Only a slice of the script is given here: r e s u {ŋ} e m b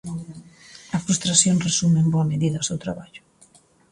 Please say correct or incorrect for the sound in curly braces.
incorrect